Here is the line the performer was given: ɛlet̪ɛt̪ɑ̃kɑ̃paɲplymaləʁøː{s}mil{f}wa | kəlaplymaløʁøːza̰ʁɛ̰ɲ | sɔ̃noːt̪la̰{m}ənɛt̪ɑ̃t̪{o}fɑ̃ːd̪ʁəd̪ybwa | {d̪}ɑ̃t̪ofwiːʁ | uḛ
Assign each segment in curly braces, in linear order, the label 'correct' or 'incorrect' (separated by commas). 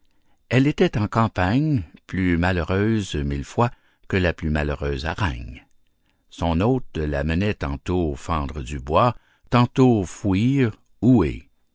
incorrect, correct, correct, correct, incorrect